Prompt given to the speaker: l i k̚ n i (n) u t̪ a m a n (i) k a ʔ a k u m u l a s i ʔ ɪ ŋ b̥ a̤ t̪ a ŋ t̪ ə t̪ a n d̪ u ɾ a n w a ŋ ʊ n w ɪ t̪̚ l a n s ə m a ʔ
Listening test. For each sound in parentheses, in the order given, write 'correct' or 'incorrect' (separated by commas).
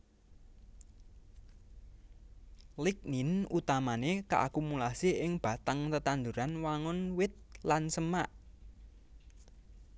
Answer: correct, incorrect